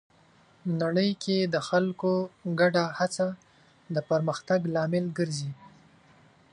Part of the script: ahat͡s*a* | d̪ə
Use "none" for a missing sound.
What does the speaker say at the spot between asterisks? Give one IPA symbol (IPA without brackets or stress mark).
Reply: a